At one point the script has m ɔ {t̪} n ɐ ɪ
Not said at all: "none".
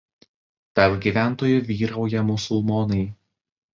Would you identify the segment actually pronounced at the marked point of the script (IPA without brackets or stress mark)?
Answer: none